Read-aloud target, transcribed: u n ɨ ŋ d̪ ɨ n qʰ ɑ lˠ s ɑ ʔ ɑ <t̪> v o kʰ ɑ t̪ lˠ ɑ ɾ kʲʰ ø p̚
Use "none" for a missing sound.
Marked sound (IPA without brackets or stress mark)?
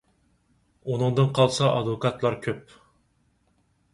d̪